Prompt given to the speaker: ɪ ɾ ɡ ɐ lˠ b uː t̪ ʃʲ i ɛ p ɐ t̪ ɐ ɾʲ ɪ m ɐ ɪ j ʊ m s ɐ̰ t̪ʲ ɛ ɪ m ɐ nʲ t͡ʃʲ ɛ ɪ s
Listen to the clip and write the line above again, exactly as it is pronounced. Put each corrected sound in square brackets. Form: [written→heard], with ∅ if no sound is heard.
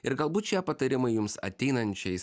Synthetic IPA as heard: ɪ ɾ ɡ ɐ lˠ b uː t̪ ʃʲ i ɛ p ɐ t̪ ɐ ɾʲ ɪ m ɐ ɪ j ʊ m s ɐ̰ t̪ʲ ɛ ɪ [m→n] ɐ nʲ t͡ʃʲ ɛ ɪ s

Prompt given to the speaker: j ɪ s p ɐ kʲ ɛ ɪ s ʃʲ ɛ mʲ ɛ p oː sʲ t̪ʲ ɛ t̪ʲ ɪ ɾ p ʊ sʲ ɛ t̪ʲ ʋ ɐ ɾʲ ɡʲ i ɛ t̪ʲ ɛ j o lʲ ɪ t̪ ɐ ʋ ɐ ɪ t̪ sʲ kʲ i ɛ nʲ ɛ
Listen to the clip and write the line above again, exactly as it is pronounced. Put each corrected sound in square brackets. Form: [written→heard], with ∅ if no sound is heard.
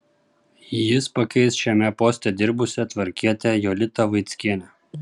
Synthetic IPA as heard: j ɪ s p ɐ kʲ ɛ ɪ s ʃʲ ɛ mʲ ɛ p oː sʲ t̪ʲ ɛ [t̪ʲ→d̪ʲ] ɪ ɾ [p→b] ʊ sʲ ɛ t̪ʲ ʋ ɐ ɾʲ [ɡʲ→kʲ] i ɛ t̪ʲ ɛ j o lʲ ɪ t̪ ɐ ʋ ɐ ɪ t̪ sʲ kʲ i ɛ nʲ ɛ

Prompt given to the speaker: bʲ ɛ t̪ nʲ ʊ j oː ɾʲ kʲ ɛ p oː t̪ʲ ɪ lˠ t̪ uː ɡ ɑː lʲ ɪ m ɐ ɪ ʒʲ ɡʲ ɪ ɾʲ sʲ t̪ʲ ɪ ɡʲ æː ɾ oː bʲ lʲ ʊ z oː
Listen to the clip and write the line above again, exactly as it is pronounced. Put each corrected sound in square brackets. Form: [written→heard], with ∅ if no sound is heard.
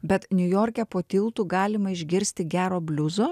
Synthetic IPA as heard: bʲ ɛ t̪ nʲ ʊ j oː ɾʲ kʲ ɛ p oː t̪ʲ ɪ lˠ t̪ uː ɡ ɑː lʲ ɪ m ɐ ɪ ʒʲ ɡʲ ɪ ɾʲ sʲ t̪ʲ ɪ ɡʲ æː ɾ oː bʲ lʲ ʊ z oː

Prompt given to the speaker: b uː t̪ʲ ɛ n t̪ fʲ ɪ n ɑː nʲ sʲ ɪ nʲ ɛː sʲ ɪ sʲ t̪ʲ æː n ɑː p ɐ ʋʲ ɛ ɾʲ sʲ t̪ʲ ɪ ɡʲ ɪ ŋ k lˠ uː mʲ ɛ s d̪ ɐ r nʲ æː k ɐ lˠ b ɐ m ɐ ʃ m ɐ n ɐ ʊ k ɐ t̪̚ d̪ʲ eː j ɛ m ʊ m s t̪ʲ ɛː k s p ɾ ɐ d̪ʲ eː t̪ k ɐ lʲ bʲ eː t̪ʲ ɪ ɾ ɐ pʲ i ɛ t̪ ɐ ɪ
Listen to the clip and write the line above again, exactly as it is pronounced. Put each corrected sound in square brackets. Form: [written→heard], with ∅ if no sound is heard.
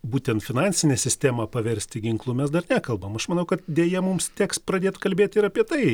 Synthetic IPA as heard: b uː t̪ʲ ɛ n t̪ fʲ ɪ n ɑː nʲ sʲ ɪ nʲ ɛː sʲ ɪ sʲ t̪ʲ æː [n→m] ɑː p ɐ ʋʲ ɛ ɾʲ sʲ t̪ʲ ɪ ɡʲ ɪ ŋ k lˠ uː mʲ ɛ s d̪ ɐ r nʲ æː k ɐ lˠ b ɐ m ɐ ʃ m ɐ n ɐ ʊ k ɐ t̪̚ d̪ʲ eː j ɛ m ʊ m s t̪ʲ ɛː k s p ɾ ɐ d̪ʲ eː t̪ k ɐ lʲ bʲ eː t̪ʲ ɪ ɾ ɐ pʲ i ɛ t̪ ɐ ɪ

